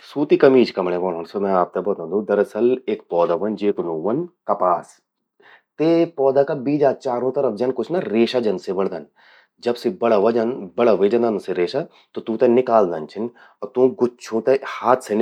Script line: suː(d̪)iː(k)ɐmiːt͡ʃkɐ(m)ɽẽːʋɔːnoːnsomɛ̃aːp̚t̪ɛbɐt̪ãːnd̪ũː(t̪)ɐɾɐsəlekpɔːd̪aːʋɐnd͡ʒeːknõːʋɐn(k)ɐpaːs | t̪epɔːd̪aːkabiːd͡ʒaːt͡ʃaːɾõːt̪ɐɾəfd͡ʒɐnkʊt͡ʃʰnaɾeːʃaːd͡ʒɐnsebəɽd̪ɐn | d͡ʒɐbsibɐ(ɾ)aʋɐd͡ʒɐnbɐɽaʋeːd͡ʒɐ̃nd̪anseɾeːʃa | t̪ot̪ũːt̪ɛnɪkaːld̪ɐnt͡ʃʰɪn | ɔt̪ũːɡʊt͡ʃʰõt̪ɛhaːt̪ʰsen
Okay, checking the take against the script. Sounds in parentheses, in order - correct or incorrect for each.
incorrect, correct, correct, incorrect, correct, incorrect

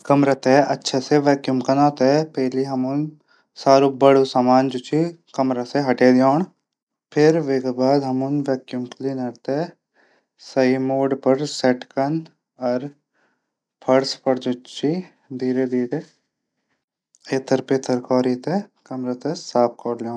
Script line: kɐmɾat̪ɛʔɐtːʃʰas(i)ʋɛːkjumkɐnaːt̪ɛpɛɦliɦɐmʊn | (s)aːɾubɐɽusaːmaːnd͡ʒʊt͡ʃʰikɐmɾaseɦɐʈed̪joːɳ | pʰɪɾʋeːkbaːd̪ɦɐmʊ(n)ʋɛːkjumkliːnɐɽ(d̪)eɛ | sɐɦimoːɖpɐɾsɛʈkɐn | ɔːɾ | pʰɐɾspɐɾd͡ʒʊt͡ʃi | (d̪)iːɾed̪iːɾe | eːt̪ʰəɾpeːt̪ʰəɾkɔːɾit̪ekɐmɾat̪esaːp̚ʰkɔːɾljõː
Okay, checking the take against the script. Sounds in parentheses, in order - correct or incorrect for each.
incorrect, correct, correct, incorrect, correct

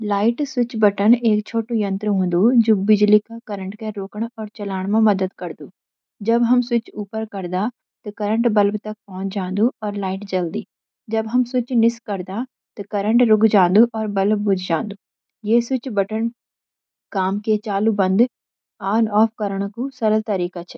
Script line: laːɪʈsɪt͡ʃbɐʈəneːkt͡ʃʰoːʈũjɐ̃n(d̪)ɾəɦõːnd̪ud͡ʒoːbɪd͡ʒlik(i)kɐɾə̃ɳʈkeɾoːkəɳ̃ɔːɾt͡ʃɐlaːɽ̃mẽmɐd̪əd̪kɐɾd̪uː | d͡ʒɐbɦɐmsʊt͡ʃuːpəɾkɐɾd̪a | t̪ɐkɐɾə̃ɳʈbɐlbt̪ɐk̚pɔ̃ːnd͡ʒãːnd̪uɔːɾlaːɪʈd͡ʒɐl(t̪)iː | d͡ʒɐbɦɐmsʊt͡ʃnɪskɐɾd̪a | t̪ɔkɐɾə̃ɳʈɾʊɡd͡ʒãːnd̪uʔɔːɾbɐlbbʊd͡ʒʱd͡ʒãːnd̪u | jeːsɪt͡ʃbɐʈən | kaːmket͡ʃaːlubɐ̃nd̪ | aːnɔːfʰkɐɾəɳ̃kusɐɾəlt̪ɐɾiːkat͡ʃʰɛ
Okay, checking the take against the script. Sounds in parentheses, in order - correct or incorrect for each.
incorrect, incorrect, incorrect

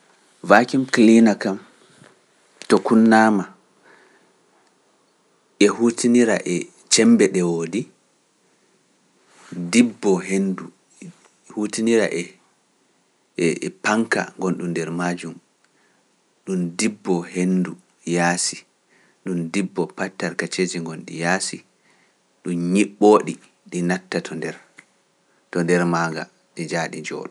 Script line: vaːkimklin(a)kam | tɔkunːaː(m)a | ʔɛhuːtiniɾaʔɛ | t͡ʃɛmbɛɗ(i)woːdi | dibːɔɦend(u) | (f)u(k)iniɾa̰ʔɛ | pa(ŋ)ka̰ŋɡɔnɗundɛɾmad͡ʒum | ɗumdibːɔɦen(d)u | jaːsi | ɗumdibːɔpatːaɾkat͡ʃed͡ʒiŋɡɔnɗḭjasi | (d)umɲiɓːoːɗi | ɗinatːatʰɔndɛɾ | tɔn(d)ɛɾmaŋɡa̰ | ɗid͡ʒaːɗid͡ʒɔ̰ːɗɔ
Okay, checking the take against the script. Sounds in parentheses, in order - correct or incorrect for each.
correct, correct, incorrect, correct, incorrect, incorrect, correct, correct, incorrect, correct

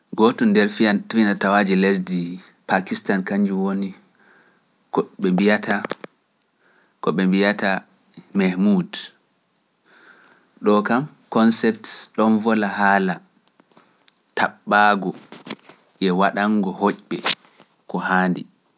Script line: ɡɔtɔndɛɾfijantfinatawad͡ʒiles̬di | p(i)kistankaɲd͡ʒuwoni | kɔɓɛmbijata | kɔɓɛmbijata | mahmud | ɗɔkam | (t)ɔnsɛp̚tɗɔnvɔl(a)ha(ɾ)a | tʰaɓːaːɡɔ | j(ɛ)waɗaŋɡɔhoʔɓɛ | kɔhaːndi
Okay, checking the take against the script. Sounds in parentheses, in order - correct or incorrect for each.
incorrect, incorrect, correct, incorrect, correct

